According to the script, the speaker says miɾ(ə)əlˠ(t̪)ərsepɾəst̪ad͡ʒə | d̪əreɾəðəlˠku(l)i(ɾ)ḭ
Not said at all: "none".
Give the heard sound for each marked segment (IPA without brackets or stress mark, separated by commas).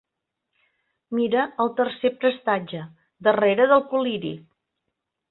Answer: ə, t̪, l, ɾ